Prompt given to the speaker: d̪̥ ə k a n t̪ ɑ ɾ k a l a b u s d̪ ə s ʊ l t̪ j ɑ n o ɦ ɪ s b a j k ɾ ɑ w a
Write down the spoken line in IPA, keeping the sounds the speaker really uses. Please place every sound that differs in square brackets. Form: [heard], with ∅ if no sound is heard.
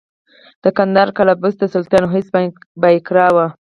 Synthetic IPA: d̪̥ ə k a n [d̪] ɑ ɾ k a l a b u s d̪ ə s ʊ l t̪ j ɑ n o ɦ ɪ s b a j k ɾ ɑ w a